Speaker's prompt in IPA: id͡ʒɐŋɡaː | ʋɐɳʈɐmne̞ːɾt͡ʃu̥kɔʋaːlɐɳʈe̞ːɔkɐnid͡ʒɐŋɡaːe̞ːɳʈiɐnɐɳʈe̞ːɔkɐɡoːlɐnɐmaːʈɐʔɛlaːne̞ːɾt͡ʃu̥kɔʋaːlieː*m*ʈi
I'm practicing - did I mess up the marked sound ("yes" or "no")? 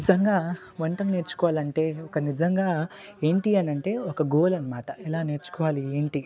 yes